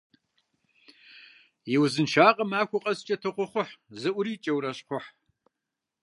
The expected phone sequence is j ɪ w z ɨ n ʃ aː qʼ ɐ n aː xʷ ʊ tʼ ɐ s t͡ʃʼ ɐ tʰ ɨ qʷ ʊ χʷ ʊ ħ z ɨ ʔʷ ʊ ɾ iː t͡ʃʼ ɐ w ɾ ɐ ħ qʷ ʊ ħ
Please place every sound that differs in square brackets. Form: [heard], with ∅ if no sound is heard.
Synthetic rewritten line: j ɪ w z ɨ n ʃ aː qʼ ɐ [m] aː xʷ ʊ [qʼ] ɐ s t͡ʃʼ ɐ tʰ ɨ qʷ ʊ χʷ ʊ ħ z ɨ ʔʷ ʊ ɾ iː t͡ʃʼ ɐ w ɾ ɐ [ɕ] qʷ ʊ ħ